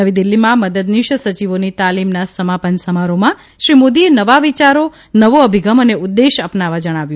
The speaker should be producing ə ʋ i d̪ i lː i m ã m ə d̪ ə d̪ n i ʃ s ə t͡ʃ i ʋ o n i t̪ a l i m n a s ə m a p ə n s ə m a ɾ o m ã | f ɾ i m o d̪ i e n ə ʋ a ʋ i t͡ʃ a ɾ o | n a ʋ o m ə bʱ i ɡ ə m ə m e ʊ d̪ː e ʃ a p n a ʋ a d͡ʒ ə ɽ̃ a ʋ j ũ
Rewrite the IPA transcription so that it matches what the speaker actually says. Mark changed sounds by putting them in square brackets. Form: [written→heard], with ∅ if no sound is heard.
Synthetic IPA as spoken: ə ʋ i d̪ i lː i m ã m ə d̪ ə d̪ n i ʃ s ə t͡ʃ i ʋ o n i t̪ a l i m n a s ə m a p ə n s ə m a ɾ o m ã | [f→ʃ] ɾ i m o d̪ i e n ə ʋ a ʋ i t͡ʃ a ɾ o | n [a→ə] ʋ o [m→∅] ə bʱ i ɡ ə m ə [m→n] e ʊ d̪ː e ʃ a p n a ʋ a d͡ʒ ə ɽ̃ a ʋ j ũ